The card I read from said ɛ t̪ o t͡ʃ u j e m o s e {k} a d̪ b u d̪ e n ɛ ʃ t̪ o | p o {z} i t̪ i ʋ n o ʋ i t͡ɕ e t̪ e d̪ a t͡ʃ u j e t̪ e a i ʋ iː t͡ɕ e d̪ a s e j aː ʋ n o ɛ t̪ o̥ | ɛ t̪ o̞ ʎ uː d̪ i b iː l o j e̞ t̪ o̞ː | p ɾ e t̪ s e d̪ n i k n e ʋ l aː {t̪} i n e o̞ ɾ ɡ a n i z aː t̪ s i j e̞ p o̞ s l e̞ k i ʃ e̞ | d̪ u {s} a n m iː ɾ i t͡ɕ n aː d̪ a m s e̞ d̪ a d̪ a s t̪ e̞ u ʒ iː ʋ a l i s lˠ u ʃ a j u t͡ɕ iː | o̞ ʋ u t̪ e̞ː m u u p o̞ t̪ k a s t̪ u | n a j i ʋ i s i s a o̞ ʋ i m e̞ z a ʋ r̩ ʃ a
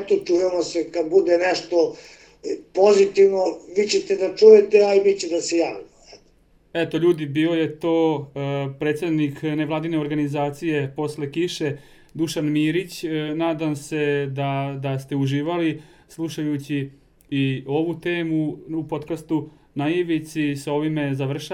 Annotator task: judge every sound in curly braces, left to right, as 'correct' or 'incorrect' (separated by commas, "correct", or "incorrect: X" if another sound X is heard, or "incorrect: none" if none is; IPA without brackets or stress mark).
correct, correct, incorrect: d̪, incorrect: ʃ